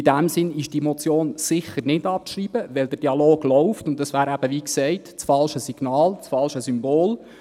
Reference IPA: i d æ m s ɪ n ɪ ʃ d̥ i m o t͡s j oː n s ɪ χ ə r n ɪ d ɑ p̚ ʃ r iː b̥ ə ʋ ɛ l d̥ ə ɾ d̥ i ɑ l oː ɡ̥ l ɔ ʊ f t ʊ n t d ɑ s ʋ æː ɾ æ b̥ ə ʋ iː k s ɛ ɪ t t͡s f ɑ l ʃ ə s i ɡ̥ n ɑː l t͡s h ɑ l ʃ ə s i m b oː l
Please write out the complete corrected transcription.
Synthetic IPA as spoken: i d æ m s ɪ n ɪ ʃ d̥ i m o t͡s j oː n s ɪ χ ə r n ɪ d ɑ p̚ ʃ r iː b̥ ə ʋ ɛ l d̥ ə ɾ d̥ i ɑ l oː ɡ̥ l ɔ ʊ f t ʊ n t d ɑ s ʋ æː ɾ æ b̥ ə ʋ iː k s ɛ ɪ t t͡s f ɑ l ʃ ə s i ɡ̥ n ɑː l t͡s f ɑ l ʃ ə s y m b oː l